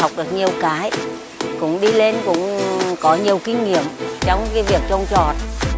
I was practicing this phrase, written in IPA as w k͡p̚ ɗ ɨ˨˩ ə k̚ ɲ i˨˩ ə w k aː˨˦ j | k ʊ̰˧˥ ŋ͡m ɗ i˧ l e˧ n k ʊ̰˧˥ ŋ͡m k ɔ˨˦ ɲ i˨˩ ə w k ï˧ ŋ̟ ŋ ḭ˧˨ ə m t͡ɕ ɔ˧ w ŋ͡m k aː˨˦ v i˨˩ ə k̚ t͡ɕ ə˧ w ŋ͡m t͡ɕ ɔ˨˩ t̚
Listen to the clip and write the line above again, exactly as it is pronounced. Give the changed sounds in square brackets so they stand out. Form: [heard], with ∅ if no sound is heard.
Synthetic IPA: w k͡p̚ ɗ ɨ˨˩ ə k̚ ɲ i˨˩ ə w k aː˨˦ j | k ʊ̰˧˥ ŋ͡m ɗ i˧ l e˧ n k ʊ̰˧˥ ŋ͡m k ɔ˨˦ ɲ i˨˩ ə w k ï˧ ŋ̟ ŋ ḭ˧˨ ə m t͡ɕ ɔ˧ w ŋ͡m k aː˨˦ v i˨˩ ə k̚ t͡ɕ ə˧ w ŋ͡m t͡ɕ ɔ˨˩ t̚